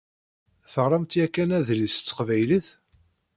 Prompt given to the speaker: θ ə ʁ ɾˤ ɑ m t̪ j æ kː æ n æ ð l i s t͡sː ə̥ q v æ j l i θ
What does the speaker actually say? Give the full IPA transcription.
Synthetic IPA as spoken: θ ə ʁ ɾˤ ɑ m t̪ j æ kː æ n æ ð l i s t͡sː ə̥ q v æ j l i θ